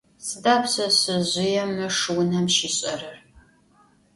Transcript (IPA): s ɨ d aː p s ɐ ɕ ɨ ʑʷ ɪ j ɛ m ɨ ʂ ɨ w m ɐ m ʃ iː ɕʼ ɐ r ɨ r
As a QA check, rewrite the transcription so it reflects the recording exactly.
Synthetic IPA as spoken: s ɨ d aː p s ɐ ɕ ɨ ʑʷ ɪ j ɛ m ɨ ʂ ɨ w n ɐ m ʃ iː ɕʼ ɐ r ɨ r